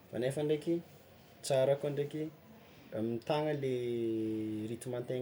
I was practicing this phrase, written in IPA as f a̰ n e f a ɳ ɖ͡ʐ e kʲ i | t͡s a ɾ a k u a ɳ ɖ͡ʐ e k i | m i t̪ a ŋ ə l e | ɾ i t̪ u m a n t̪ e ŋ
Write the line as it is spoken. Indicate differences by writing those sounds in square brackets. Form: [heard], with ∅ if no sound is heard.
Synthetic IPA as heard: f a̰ n e f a ɳ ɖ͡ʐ e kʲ i | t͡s a ɾ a k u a ɳ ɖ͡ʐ e k i | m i t̪ a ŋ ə l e | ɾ i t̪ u m a n t̪ e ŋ